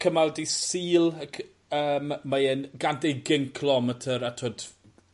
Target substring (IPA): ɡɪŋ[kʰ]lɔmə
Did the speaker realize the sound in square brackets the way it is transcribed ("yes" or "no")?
yes